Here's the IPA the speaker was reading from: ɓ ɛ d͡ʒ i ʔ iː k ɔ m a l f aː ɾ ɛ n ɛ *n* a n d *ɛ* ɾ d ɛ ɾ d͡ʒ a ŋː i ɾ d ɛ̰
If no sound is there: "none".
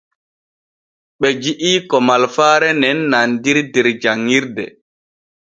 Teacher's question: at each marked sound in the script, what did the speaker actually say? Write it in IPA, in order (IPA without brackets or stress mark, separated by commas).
nː, i